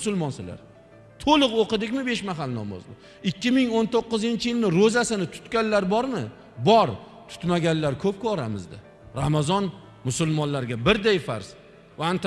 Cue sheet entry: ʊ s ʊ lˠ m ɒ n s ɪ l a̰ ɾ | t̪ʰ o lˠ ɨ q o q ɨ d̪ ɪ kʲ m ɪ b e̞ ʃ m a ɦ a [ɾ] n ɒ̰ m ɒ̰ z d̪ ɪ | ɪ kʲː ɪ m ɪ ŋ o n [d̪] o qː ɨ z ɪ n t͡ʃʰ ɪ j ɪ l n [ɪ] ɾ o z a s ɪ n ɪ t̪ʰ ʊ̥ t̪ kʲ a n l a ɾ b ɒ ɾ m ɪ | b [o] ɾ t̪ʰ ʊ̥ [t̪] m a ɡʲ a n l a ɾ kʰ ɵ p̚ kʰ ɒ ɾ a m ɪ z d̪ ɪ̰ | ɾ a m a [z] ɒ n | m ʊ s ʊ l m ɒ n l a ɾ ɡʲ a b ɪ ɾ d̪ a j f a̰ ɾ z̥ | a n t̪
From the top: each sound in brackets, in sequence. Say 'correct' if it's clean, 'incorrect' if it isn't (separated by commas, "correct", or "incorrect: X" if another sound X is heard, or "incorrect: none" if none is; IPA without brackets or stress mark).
incorrect: l, incorrect: t̪, correct, incorrect: ɒ, correct, correct